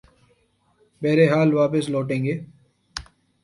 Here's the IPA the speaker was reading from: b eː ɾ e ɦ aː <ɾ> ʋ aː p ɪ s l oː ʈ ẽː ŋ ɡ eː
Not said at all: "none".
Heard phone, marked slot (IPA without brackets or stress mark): l